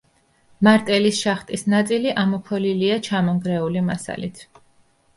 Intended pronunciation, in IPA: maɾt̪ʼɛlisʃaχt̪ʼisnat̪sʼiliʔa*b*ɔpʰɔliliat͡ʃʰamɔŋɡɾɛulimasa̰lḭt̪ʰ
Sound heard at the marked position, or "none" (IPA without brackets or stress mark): m